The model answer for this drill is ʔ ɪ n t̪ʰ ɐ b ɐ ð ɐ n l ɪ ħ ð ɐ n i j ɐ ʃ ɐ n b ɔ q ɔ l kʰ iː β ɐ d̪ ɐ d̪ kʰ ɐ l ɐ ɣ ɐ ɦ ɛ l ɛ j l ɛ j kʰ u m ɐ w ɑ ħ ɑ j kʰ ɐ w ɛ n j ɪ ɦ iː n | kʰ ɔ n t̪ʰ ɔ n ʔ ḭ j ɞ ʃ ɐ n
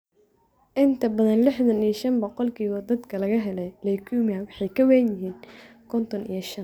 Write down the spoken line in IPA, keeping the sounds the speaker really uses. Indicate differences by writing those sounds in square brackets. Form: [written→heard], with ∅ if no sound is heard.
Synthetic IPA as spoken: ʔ ɪ n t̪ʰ ɐ b ɐ ð ɐ n l ɪ ħ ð ɐ n i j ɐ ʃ ɐ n b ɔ q ɔ l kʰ iː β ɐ d̪ ɐ d̪ kʰ ɐ l ɐ ɣ ɐ ɦ ɛ l ɛ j l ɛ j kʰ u m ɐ w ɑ ħ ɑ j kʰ ɐ w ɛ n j ɪ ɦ iː n | kʰ ɔ n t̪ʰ ɔ n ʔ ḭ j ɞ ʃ ɐ n